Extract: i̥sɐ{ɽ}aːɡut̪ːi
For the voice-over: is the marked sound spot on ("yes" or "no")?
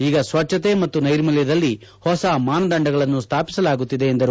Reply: no